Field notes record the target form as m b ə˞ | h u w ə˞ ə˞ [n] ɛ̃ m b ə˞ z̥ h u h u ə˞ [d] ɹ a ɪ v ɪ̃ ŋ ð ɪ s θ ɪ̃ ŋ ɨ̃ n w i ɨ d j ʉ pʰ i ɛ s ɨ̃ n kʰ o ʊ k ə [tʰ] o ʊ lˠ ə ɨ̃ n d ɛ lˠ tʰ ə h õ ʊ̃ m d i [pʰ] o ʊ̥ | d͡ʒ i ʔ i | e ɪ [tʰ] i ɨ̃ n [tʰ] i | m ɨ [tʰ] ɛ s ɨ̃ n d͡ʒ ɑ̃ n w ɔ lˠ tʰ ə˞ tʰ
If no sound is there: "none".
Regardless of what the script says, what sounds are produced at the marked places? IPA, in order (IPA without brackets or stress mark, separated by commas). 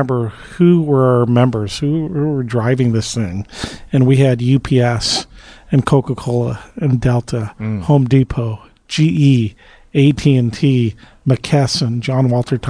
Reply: m, d, kʰ, pʰ, tʰ, tʰ, kʰ